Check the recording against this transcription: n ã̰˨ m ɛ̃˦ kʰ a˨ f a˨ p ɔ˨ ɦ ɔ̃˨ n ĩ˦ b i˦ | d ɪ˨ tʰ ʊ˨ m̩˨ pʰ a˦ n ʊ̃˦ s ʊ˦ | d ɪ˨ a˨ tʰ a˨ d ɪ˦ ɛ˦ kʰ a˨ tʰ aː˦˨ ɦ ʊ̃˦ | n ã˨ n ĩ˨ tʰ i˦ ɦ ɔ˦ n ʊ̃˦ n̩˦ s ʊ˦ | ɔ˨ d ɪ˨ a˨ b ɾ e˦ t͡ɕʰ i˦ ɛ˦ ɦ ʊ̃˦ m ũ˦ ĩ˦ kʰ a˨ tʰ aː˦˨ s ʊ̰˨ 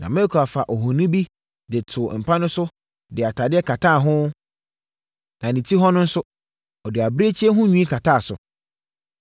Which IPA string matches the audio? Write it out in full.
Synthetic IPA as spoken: n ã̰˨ m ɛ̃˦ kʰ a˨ f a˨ ʔ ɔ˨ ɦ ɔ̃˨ n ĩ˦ b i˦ | d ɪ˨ tʰ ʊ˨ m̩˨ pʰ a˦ n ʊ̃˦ s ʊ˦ | d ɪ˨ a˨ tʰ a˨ d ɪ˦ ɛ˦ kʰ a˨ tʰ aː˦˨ ɦ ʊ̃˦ | n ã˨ n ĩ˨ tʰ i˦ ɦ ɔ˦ n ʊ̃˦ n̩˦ s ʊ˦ | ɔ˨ d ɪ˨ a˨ b ɾ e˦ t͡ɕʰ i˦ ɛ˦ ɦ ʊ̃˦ ɲ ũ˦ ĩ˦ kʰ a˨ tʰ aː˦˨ s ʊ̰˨

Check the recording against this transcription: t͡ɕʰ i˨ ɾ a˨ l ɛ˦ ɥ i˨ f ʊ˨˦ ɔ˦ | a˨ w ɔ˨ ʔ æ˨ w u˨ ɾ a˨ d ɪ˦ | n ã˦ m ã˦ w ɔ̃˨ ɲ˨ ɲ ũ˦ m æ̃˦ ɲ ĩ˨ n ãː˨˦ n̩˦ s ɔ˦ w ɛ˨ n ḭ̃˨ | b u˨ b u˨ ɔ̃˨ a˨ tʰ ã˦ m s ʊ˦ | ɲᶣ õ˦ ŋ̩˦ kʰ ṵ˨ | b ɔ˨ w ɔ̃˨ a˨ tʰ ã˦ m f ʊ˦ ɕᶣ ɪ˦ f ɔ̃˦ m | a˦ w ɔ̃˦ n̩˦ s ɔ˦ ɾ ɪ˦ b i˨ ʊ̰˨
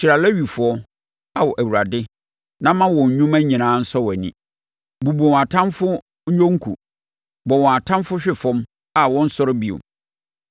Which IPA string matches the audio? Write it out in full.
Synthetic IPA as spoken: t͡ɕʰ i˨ ɾ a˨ l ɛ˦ ɥ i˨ f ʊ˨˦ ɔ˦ | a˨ w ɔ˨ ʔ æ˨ w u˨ ɾ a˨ d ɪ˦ | n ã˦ m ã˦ w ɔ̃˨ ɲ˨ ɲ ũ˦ m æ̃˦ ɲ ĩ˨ n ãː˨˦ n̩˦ s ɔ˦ w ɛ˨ n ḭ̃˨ | b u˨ b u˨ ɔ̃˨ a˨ tʰ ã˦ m f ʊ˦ | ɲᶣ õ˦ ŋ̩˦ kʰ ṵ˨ | b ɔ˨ w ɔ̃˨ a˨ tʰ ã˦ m f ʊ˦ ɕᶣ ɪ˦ f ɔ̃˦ m | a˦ w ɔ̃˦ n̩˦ s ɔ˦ ɾ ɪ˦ b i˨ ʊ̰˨

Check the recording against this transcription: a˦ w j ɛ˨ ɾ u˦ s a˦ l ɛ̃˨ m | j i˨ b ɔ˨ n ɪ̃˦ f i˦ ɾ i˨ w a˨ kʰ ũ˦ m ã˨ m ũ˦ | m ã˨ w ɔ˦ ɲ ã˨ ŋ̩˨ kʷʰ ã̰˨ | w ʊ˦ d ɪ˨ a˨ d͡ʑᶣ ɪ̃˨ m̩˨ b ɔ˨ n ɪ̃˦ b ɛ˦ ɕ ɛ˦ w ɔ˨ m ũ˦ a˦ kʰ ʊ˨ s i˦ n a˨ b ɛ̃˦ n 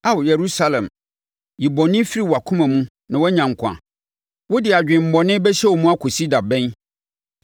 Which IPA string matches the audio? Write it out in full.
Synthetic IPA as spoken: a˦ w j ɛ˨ ɾ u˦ s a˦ l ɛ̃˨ m | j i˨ b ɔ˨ n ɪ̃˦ f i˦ ɾ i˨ w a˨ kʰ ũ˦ m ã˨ m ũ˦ | n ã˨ w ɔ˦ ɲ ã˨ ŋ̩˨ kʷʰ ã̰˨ | w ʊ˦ d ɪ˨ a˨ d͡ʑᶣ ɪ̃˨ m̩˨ b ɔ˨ n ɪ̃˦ b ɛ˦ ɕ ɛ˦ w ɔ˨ m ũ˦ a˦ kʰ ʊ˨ s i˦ d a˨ b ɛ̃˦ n

